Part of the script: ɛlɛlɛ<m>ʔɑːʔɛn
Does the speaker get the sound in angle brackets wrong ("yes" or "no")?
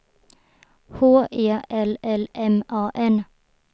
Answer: no